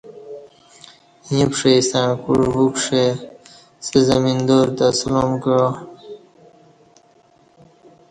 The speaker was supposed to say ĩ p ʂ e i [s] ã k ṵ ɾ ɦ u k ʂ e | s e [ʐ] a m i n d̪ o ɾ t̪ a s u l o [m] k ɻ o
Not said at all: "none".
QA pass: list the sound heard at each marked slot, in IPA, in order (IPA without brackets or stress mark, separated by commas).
s, z, m